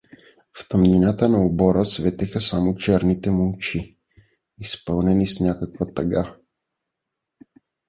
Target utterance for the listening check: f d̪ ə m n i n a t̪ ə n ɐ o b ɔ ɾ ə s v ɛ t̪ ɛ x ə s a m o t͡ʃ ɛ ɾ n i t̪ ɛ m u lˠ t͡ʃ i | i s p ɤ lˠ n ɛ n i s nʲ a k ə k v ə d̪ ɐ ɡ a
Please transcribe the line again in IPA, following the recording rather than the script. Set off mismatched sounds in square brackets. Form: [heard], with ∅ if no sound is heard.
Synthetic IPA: f [t̪] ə m n i n a t̪ ə n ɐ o b ɔ ɾ ə s v ɛ t̪ ɛ x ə s a m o t͡ʃ ɛ ɾ n i t̪ ɛ m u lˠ t͡ʃ i | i s p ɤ lˠ n ɛ n i s nʲ a k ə k v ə [t̪] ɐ ɡ a